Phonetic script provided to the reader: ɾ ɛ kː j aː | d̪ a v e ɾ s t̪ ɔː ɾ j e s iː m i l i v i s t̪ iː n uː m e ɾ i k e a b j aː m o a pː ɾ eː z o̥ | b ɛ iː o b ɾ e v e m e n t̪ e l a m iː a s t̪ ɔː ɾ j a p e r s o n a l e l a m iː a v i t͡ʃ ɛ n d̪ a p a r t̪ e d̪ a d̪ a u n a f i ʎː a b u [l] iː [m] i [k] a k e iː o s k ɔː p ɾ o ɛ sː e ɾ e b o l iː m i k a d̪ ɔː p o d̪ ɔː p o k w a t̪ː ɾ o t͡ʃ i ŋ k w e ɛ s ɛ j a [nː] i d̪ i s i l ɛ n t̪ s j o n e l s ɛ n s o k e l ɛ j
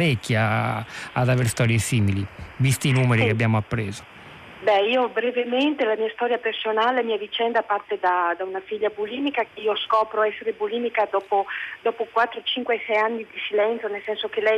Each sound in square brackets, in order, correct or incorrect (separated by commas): correct, correct, correct, correct